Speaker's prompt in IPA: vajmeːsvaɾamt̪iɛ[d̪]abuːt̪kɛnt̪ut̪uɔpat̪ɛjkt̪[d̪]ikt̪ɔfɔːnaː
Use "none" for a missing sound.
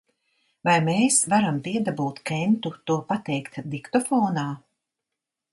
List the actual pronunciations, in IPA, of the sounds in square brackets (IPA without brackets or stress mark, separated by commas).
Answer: d̪, d̪